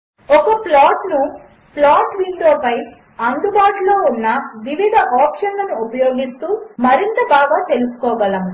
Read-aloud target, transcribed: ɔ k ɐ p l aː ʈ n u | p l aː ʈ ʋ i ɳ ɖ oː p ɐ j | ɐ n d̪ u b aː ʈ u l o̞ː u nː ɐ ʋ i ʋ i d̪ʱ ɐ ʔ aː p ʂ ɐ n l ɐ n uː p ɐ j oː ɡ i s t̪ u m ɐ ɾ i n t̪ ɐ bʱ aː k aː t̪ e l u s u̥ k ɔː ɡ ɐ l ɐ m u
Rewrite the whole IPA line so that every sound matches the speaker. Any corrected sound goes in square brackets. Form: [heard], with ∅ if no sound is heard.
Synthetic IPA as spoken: ɔ k ɐ p l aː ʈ n u | p l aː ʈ ʋ i ɳ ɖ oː p ɐ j | ɐ n d̪ u b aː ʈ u l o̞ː u nː ɐ ʋ i ʋ i d̪ʱ ɐ ʔ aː p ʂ ɐ n l ɐ n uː p ɐ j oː ɡ i s t̪ [uː] m ɐ ɾ i n t̪ ɐ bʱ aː [ɡ] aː t̪ e l u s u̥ k ɔː ɡ ɐ l ɐ m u

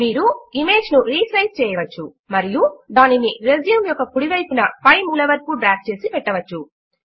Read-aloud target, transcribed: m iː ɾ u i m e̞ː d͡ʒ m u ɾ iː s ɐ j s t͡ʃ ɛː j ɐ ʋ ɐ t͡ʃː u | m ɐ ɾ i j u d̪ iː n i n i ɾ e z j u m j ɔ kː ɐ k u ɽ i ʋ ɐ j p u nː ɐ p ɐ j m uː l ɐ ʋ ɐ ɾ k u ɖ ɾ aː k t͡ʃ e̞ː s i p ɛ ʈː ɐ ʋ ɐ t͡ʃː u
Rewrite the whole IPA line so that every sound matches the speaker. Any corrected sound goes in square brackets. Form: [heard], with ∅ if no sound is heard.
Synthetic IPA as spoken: m iː ɾ u i m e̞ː d͡ʒ [n] u ɾ iː s ɐ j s t͡ʃ ɛː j ɐ ʋ ɐ t͡ʃː u | m ɐ ɾ i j u d̪ [aː] n i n i ɾ e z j u m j ɔ kː ɐ k u ɽ i ʋ ɐ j p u [n] ɐ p ɐ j m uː l ɐ ʋ ɐ ɾ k u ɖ ɾ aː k t͡ʃ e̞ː s i p ɛ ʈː ɐ ʋ ɐ t͡ʃː u

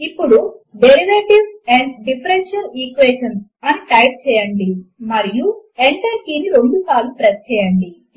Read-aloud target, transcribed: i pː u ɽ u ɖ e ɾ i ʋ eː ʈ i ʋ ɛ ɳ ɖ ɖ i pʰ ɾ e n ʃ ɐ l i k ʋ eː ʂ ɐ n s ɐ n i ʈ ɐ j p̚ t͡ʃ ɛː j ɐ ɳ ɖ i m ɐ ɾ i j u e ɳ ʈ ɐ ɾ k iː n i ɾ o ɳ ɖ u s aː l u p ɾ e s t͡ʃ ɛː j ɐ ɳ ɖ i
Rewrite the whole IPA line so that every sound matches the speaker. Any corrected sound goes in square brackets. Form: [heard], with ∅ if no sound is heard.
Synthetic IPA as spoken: i pː u ɽ u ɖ e ɾ i ʋ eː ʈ i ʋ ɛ ɳ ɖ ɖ i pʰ ɾ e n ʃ ɐ l i k ʋ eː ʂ ɐ n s ɐ n i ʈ ɐ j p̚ t͡ʃ ɛː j ɐ ɳ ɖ i m ɐ ɾ i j u e ɳ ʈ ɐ ɾ k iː n i ɾ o ɳ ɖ u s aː l u p ɾ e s t͡ʃ ɛː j ɐ ɳ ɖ i

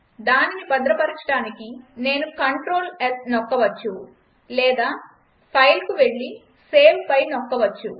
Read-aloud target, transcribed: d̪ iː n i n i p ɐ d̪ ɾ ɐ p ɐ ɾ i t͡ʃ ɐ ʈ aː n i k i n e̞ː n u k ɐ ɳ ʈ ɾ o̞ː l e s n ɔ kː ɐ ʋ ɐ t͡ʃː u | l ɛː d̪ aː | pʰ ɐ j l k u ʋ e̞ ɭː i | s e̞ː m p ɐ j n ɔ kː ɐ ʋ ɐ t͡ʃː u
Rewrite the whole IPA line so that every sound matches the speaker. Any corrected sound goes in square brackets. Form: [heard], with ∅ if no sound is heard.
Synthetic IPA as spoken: d̪ [aː] n i n i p ɐ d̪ ɾ ɐ p ɐ ɾ i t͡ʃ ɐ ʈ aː n i k i n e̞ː n u k ɐ ɳ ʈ ɾ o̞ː l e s n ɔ kː ɐ ʋ ɐ t͡ʃː u | l ɛː d̪ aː | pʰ ɐ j l k u ʋ e̞ ɭː i | s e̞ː m p ɐ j n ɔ kː ɐ ʋ ɐ t͡ʃː u

